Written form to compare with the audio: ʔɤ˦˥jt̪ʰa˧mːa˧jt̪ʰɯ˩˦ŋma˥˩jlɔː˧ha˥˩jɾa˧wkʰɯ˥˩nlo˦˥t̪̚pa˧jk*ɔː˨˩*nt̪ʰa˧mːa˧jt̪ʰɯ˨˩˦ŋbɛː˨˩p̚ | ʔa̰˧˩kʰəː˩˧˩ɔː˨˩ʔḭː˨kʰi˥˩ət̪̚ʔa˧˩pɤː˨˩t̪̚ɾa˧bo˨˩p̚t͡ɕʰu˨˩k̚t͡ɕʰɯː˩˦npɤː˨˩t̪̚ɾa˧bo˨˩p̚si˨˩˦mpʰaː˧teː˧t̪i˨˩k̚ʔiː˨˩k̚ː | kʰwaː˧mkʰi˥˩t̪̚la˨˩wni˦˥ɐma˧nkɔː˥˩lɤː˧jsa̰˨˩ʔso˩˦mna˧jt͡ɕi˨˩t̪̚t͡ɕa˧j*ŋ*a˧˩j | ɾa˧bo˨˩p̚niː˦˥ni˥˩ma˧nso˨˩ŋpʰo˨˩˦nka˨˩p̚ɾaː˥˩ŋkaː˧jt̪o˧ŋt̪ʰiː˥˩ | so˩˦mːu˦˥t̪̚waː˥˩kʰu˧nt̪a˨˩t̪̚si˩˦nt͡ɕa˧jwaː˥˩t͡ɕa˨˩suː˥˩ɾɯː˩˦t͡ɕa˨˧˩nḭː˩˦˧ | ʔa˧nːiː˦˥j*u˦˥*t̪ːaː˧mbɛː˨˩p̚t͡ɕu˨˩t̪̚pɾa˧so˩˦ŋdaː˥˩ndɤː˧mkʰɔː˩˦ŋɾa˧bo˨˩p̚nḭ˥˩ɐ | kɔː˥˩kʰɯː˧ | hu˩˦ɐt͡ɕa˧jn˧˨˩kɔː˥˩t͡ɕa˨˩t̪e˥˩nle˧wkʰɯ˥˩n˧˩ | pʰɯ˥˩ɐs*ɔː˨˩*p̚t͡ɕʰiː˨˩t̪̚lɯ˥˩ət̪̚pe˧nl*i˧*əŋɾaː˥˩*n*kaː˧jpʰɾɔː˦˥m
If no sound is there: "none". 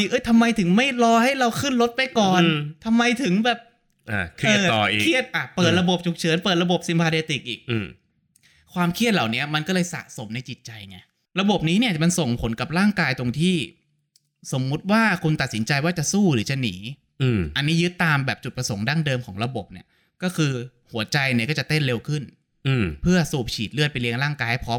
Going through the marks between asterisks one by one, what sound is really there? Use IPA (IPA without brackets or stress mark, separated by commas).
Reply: ɔː˨˩, ŋ, ɯ˦˥, uː˨˩, i˧, ŋ